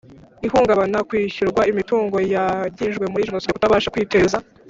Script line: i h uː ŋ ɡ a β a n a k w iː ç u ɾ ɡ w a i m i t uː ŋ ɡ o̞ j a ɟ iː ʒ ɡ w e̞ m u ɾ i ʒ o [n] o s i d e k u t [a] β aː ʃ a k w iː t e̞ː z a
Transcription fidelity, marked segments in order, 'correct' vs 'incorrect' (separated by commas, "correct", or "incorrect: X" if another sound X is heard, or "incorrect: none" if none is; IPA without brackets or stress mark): correct, correct